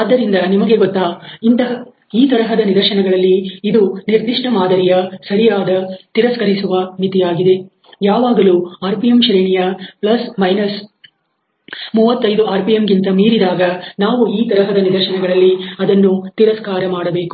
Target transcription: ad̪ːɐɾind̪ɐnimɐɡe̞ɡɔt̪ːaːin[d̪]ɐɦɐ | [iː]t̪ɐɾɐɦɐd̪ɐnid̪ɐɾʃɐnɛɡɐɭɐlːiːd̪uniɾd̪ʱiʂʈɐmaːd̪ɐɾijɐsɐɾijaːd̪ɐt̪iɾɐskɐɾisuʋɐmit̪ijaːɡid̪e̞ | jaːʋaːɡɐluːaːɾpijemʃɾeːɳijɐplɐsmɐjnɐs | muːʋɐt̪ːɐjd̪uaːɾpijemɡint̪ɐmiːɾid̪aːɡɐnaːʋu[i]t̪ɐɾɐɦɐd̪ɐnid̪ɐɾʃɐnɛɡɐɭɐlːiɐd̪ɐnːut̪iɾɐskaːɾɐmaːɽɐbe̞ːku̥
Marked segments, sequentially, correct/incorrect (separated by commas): incorrect, correct, incorrect